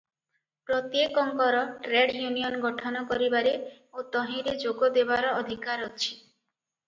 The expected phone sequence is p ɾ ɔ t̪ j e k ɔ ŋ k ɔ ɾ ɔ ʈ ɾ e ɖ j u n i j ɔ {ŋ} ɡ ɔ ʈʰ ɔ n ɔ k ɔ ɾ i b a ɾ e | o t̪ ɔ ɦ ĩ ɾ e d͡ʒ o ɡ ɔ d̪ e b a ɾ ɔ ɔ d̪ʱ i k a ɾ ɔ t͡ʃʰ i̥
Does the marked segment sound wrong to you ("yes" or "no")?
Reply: yes